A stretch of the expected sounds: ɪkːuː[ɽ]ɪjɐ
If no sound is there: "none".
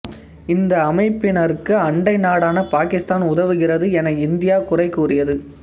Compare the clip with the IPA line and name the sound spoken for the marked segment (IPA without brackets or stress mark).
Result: r